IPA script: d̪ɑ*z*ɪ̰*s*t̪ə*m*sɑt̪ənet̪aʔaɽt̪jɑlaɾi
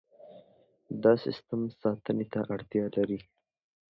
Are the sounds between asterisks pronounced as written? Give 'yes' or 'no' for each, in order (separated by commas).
no, yes, yes